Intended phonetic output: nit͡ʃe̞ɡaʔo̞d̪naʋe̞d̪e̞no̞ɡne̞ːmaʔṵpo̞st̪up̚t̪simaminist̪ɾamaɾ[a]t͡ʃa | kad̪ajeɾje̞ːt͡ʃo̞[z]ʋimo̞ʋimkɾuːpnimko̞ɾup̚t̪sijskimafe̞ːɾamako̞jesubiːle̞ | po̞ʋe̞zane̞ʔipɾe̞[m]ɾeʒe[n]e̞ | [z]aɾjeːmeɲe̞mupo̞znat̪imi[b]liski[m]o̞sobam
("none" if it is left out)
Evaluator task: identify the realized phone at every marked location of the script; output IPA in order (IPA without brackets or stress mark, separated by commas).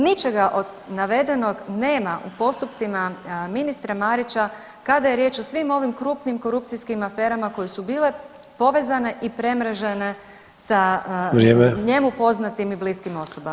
i, s, m, n, s, b, m